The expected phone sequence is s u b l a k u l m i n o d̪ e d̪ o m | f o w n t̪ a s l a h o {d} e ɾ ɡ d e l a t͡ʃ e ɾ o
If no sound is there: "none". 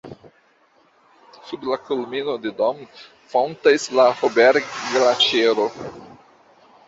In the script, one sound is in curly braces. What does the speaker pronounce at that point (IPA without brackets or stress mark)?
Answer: b